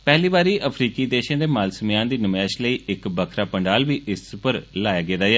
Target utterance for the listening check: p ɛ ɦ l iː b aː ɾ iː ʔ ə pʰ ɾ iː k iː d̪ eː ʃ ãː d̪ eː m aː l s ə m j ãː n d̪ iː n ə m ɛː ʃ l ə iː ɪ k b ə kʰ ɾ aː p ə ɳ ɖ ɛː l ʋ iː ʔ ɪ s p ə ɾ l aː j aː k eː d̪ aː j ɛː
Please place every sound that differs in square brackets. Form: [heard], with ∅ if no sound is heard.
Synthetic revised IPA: p ɛ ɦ l iː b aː ɾ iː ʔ ə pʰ ɾ iː k iː d̪ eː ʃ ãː d̪ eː m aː l s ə m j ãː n d̪ iː n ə m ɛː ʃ l ə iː ɪ k b ə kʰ ɾ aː p ə ɳ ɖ [aː] l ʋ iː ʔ ɪ s p ə ɾ l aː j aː [ɡ] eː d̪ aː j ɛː